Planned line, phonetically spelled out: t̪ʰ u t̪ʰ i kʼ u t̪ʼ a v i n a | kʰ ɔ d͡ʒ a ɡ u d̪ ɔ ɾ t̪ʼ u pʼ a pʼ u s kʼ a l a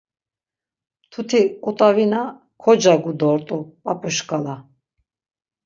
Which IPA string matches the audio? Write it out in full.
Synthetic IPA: t̪ʰ u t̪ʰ i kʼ u t̪ʼ a v i n a | kʰ ɔ d͡ʒ a ɡ u d̪ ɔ ɾ t̪ʼ u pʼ a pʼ u ʃ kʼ a l a